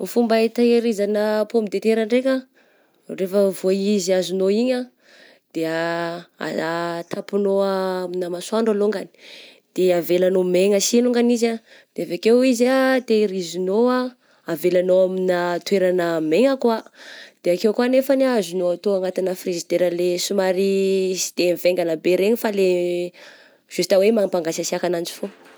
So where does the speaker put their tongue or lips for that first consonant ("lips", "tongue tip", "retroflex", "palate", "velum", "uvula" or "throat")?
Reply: lips